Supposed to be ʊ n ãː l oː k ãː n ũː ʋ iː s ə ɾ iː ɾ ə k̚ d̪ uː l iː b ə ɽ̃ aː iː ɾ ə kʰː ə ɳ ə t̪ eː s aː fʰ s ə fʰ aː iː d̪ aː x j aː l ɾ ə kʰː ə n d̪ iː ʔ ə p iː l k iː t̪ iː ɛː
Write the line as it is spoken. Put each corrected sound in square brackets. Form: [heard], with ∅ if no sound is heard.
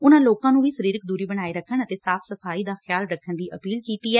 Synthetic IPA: ʊ n ãː l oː k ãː n ũː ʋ iː s ə ɾ iː ɾ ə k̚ d̪ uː [ɾ] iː b ə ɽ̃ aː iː ɾ ə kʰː ə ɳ ə t̪ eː s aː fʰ s ə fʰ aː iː d̪ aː x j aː l ɾ ə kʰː ə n d̪ iː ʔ ə p iː l k iː t̪ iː ɛː